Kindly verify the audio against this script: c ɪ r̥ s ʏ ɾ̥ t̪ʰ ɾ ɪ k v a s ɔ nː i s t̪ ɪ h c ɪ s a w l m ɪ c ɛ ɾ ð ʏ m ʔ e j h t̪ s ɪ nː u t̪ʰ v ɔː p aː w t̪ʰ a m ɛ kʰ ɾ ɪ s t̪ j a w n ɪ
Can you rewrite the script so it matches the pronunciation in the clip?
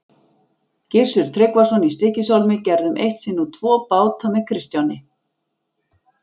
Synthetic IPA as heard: c ɪ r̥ s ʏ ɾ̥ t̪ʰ ɾ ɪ k v a s ɔ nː i s t̪ ɪ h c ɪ s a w l m ɪ c ɛ ɾ ð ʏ m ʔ e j h t̪ s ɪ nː u t̪ʰ v ɔː p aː w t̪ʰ a m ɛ kʰ ɾ ɪ s t̪ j a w n ɪ

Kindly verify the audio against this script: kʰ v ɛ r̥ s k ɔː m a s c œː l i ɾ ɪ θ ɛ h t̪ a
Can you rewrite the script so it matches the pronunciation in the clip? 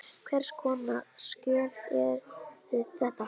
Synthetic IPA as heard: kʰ v ɛ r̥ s kʰ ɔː n a s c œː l ɛ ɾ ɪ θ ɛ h t̪ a

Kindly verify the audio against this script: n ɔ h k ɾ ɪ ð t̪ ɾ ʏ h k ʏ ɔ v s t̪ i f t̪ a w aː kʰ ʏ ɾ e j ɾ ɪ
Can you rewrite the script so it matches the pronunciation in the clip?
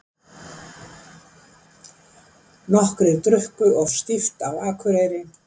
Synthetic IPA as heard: n ɔ h k ɾ ɪ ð t̪ ɾ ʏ h k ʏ ɔ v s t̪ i f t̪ a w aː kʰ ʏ ɾ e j ɾ ɪ

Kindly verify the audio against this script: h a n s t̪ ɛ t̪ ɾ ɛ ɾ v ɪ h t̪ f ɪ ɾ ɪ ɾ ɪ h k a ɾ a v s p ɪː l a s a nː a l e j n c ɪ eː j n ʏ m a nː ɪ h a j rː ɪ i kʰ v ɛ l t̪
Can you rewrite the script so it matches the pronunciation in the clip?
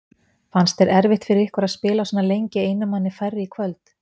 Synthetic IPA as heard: f a n s t̪ ɛ ɾ ɛ ɾ v ɪ h t̪ f ɪ ɾ ɪ ɾ ɪ h k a ɾ a ð s p ɪː l a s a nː a l e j ɲ c ɪ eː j n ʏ m a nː ɪ f a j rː ɪ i kʰ v œ l t̪

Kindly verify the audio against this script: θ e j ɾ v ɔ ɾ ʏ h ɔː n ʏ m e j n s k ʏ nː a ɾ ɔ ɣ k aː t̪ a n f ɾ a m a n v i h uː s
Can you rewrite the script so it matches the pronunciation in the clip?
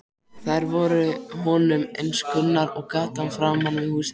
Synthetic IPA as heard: θ a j ɾ v ɔ ɾ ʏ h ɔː n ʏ m e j n s k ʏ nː a ɾ ɔ ɣ k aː t̪ a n f ɾ a m a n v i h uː s

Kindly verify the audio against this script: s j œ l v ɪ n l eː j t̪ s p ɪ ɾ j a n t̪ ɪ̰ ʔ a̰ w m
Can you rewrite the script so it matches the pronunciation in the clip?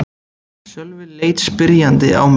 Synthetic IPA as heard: s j œ l v ɪ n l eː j t̪ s p ɪ ɾ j a n t̪ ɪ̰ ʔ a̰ w m

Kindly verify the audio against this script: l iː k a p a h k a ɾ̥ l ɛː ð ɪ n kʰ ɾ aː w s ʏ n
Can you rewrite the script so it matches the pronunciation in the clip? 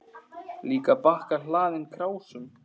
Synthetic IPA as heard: l iː k a p a h k a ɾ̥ l aː ð ɪ n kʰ ɾ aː w s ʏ m

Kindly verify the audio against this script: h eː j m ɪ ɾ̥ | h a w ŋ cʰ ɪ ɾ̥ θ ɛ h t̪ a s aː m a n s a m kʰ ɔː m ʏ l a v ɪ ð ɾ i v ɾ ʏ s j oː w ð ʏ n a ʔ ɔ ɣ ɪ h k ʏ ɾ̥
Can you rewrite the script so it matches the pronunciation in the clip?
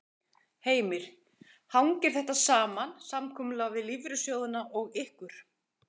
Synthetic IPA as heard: h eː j m ɪ ɾ̥ | h a w ŋ c ɪ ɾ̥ θ ɛ h t̪ a s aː m a n s a m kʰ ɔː m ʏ l a v ɪ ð l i v ɾ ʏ s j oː w ð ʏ n a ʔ ɔ ɣ ɪ h k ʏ ɾ̥

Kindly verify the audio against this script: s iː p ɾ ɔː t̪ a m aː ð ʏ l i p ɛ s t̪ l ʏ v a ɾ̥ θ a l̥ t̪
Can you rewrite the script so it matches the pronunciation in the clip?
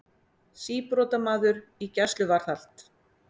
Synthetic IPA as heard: s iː p ɾ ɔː t̪ a m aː ð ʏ ɾ i c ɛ s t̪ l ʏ v a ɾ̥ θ a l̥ t̪

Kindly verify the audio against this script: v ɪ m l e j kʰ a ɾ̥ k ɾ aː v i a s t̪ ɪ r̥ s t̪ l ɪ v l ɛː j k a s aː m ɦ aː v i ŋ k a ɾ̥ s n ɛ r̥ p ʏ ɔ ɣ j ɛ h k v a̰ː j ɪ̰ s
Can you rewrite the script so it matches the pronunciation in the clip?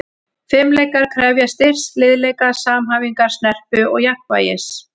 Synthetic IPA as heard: f ɪ m l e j k a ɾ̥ kʰ ɾ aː v j a s t̪ ɪ r̥ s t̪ l ɪ ð l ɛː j k a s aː m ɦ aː v i ŋ k a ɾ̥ s n ɛ r̥ p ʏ ɔ ɣ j a h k v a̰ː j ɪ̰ s

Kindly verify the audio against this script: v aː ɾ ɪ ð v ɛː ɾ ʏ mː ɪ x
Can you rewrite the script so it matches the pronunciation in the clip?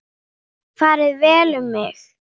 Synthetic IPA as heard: f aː ɾ ɪ ð v ɛː l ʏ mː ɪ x

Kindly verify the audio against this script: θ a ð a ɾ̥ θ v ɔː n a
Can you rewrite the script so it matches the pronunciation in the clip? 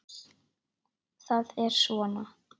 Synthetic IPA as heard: θ a ð ɛ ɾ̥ s v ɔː n a

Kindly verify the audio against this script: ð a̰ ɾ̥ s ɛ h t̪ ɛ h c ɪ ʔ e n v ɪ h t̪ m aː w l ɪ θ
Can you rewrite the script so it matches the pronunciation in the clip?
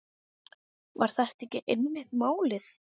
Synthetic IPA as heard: v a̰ ɾ̥ θ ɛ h t̪ ɛ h c ɪ ʔ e n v ɪ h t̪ m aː w l ɪ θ

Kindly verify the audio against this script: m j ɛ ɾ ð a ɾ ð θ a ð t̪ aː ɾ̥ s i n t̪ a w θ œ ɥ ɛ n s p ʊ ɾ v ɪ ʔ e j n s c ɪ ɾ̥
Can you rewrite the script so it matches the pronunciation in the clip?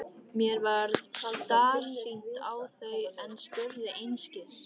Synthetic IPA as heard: m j ɛ ɾ v a ɾ ð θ a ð t̪ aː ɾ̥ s i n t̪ a w θ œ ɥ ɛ n s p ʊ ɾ ð ɪ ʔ e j n s c ɪ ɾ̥

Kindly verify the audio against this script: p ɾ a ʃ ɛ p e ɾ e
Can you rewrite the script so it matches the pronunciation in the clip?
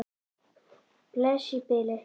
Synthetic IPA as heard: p l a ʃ i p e l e

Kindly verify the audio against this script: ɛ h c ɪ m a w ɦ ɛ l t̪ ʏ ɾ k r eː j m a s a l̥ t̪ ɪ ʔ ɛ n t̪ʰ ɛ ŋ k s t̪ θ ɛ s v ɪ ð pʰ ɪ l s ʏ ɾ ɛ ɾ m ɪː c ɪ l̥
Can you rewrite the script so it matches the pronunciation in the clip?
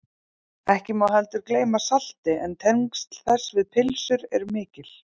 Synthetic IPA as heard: ɛ h c ɪ m a w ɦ ɛ l t̪ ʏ ɾ k l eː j m a s a l̥ t̪ ɪ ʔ ɛ n t̪ʰ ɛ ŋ k s t̪ θ ɛ s v ɪ ð pʰ ɪ l s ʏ ɾ ɛ ɾ m ɪː c ɪ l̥

